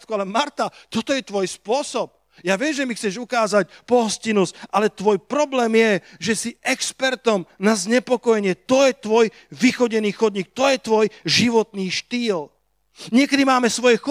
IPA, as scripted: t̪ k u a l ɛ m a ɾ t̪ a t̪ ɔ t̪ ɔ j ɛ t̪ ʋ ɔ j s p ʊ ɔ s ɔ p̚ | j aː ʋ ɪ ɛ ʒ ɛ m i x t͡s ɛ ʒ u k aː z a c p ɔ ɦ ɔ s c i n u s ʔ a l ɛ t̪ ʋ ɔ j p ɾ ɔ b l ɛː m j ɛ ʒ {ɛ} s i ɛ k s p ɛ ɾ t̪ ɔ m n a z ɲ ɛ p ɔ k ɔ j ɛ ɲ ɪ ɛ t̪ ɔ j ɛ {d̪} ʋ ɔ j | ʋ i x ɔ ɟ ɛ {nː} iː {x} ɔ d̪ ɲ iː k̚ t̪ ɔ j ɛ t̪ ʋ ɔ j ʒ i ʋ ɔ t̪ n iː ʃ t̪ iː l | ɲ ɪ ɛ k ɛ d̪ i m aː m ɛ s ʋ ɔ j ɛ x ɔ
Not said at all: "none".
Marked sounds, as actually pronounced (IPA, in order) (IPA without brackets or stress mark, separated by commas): ɛ, t̪, n, x